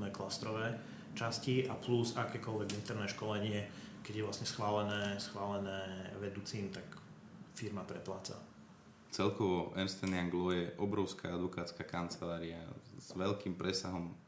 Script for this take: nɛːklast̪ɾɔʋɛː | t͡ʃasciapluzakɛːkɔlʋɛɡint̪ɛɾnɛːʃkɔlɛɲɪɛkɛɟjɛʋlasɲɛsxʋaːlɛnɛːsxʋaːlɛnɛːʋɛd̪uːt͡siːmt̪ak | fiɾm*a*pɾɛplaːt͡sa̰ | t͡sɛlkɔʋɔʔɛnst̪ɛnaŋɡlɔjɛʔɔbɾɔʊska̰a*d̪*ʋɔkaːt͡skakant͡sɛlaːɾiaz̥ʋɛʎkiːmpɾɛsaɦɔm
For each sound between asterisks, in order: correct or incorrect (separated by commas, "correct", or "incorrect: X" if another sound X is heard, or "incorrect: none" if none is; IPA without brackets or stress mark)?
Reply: correct, correct